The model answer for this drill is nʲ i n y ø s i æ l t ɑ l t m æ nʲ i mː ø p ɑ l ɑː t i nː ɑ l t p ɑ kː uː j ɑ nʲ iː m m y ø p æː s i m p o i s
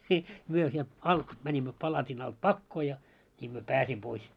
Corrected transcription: nʲ i m y ø s i e l t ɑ l t m æ nʲ i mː ø p ɑ l ɑ t i n ɑ l t p ɑ kː oː j ɑ nʲ iː m m y ø p æː s i m p o i s